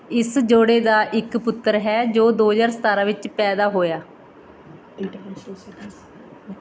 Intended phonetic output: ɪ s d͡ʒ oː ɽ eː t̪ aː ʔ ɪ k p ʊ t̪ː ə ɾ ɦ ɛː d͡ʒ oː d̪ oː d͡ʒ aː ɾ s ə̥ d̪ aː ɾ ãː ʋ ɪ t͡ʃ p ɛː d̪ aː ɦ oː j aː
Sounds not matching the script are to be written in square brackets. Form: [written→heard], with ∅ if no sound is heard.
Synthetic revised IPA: ɪ s d͡ʒ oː ɽ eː [t̪→d̪] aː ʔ ɪ k p ʊ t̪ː ə ɾ ɦ ɛː d͡ʒ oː d̪ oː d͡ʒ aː ɾ s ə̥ [d̪→t̪] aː ɾ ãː ʋ ɪ t͡ʃ p ɛː d̪ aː ɦ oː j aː